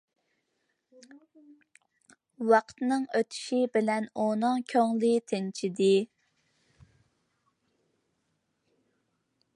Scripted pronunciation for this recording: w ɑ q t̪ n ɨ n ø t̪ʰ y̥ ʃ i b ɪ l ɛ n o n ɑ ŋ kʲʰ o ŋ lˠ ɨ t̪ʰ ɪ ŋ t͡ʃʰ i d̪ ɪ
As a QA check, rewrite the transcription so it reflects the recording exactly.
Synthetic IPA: w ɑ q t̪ n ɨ ŋ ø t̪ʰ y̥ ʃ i b ɪ l ɛ n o n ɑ ŋ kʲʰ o ŋ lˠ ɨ t̪ʰ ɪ n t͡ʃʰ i d̪ ɪ